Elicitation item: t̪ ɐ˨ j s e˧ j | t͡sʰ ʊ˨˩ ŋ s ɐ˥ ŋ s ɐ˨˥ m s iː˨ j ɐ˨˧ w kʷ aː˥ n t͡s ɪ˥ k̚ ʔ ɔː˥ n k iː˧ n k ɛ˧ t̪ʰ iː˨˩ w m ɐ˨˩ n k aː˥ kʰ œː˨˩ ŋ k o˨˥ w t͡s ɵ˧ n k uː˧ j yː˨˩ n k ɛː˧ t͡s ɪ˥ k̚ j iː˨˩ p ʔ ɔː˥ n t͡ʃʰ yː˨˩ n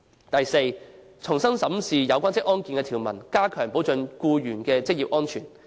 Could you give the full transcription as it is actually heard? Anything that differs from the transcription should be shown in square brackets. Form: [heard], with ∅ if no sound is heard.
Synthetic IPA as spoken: t̪ ɐ˨ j s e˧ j | t͡sʰ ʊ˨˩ ŋ s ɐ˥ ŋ s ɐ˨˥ m s iː˨ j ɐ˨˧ w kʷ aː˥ n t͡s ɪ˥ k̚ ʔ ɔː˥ n k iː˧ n k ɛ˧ t̪ʰ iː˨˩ w m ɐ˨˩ n k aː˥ kʰ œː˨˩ ŋ [p] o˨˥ w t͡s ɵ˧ n k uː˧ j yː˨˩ n k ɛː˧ t͡s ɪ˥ k̚ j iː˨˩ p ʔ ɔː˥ n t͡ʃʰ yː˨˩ n